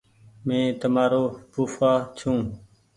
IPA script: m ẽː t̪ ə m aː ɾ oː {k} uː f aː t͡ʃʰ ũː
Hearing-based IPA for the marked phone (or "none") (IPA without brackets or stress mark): p